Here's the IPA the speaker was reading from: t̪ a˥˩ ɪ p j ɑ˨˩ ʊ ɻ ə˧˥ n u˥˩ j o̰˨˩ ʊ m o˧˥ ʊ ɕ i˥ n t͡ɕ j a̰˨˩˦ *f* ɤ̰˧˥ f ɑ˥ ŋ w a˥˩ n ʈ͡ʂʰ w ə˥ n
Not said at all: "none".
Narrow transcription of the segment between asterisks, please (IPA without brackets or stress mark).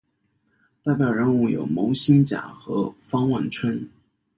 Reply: x